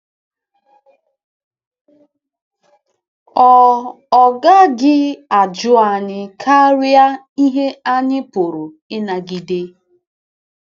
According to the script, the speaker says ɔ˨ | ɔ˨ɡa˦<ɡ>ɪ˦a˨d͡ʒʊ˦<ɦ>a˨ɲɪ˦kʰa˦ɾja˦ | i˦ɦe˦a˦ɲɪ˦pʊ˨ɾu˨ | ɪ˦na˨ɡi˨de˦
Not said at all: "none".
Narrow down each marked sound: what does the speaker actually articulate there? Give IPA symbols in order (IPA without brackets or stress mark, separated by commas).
ɡ, none